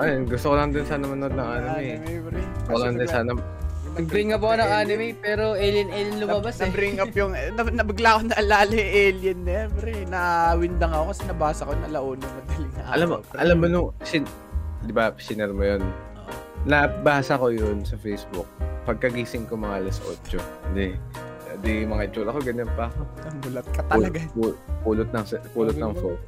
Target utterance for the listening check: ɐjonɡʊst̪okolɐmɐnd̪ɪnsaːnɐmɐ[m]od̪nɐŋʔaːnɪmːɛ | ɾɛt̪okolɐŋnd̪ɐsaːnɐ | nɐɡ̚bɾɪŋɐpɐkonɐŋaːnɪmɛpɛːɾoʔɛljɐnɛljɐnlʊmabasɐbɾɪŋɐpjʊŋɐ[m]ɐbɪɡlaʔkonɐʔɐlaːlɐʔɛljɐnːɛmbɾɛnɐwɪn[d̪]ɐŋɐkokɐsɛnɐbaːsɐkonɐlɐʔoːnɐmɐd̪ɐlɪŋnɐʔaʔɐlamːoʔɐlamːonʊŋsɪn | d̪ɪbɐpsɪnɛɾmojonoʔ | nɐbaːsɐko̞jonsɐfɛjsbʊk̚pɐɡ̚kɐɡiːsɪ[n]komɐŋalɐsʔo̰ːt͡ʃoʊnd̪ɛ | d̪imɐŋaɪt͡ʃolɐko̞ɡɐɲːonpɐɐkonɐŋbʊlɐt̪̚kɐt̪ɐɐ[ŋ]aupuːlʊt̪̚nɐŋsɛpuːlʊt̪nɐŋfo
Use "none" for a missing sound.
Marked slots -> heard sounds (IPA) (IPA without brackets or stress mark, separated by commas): n, n, d̪, ŋ, ɡ